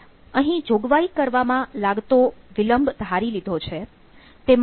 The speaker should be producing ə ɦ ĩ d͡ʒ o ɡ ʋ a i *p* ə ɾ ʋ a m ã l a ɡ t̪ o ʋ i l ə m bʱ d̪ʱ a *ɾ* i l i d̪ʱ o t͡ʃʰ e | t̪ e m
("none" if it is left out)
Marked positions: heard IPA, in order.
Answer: k, ɾ

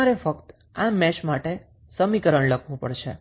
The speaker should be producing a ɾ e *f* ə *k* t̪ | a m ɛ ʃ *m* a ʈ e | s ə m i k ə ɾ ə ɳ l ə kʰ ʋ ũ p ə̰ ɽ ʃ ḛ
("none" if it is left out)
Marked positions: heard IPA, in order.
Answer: f, k, m

